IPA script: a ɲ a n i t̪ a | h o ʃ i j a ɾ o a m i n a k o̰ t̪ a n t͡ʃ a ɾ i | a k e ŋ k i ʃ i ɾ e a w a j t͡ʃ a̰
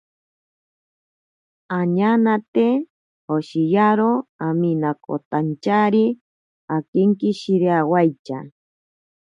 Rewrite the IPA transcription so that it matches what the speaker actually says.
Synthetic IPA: a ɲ a n a t̪ e | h o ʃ i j a ɾ o a m i n a k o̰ t̪ a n t͡ʃ a ɾ i | a k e ŋ k i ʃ i ɾ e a w a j t͡ʃ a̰